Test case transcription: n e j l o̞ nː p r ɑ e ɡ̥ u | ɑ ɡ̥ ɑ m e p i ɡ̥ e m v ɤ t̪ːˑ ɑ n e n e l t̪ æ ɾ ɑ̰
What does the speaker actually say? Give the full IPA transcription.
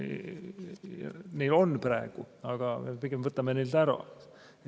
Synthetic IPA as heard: n e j l o̞ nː p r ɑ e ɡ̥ u | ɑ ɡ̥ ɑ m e p i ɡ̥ e m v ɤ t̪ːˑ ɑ m e n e l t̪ æ ɾ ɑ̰